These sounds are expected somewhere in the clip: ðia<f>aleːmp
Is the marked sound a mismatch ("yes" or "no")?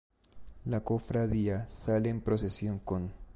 yes